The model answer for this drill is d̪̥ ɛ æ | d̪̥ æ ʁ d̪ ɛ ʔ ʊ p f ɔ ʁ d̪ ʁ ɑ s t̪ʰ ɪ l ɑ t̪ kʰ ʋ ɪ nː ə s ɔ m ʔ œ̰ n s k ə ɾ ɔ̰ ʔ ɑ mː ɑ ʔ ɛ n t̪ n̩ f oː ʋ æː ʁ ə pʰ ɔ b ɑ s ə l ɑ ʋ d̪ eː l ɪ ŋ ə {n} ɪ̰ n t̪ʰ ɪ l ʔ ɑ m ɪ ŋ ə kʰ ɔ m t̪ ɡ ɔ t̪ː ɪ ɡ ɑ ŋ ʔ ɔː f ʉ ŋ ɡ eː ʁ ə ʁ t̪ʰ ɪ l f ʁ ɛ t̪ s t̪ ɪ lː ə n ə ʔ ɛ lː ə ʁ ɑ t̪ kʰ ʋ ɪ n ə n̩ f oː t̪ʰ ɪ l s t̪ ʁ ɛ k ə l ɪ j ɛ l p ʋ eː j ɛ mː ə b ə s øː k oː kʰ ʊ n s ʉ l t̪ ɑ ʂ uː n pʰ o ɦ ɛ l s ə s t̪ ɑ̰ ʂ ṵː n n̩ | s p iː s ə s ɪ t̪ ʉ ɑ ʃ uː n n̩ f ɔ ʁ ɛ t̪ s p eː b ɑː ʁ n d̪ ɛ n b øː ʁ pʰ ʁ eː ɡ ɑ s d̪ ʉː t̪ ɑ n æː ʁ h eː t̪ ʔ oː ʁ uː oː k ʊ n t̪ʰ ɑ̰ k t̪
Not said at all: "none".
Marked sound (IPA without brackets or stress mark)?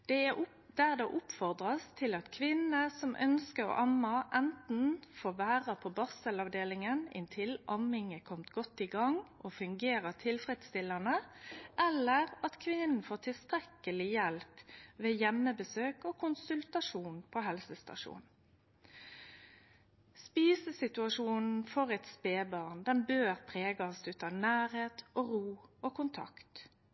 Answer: n